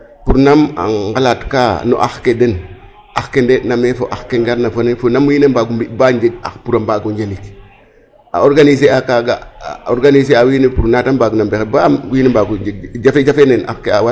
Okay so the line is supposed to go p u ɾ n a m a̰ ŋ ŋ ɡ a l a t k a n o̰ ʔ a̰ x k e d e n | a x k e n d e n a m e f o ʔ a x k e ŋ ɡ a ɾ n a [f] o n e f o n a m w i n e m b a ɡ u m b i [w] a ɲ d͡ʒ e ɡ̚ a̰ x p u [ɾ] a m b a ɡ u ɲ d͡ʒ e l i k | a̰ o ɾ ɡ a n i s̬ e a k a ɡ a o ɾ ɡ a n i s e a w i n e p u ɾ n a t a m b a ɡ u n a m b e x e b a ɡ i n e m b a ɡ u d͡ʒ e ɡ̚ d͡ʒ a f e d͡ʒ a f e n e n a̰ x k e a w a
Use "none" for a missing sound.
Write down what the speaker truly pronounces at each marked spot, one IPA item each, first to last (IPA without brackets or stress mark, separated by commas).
f, b, ɾ